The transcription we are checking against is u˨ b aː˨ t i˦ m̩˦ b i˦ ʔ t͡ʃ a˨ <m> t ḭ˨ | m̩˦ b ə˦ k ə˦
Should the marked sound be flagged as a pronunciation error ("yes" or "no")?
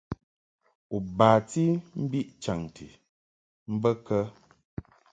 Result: yes